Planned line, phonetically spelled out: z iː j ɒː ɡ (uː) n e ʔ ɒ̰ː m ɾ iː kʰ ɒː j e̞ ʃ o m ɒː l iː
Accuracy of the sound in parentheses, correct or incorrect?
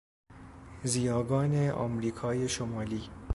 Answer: incorrect: ɒː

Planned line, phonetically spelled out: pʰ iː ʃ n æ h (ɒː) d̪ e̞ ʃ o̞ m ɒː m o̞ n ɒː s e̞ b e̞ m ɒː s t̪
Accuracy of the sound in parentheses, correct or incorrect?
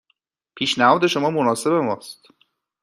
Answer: correct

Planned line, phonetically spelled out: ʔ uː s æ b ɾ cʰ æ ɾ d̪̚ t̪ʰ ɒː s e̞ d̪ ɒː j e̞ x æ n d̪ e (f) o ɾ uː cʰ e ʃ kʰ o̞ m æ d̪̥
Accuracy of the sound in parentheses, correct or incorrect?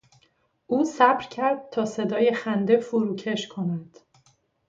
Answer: correct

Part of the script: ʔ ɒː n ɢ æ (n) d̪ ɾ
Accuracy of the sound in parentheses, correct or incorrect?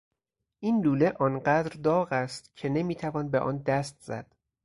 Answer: incorrect: none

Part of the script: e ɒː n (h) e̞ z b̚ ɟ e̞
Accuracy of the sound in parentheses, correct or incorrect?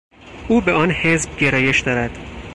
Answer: correct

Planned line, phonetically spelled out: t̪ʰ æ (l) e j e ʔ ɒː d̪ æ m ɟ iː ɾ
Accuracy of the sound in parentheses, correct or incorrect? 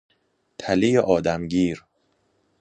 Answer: correct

